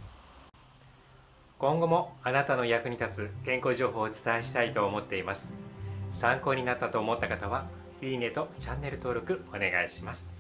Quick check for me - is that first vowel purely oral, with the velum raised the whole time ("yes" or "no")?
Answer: no